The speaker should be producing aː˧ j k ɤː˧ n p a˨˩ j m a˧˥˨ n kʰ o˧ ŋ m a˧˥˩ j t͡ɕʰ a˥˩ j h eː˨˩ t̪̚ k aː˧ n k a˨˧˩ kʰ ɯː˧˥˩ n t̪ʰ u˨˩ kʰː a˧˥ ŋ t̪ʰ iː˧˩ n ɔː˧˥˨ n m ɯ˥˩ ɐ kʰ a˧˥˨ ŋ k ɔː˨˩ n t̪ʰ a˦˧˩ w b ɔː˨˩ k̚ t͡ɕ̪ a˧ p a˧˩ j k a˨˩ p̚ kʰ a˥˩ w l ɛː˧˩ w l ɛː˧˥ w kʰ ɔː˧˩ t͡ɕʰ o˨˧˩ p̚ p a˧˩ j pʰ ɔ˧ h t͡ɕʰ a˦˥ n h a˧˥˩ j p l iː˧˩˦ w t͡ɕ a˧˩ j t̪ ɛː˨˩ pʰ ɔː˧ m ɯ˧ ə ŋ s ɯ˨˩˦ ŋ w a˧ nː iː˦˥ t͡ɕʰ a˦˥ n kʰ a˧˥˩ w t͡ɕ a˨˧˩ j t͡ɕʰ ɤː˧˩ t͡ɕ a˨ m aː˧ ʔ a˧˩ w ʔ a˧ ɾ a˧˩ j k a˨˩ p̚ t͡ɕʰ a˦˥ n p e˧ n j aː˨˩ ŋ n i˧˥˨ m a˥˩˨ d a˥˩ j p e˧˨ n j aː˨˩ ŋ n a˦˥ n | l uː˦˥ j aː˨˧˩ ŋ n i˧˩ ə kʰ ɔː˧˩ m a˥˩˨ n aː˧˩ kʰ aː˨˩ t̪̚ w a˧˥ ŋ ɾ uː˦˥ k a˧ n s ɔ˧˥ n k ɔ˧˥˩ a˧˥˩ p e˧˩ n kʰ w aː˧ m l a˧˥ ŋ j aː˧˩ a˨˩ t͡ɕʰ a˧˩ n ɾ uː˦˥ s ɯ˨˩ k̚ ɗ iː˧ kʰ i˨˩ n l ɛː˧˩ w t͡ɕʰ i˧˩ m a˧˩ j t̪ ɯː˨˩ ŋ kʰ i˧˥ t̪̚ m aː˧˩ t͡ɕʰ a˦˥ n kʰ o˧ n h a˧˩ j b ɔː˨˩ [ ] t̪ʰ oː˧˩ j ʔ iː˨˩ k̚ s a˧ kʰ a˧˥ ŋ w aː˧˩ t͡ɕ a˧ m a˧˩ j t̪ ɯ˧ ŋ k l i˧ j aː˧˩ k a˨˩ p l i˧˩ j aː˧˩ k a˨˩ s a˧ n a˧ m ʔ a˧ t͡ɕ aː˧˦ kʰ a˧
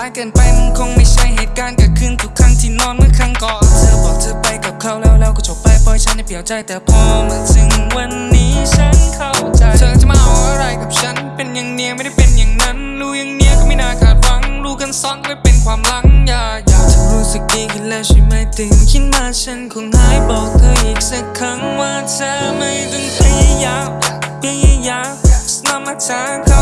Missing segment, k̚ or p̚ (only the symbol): k̚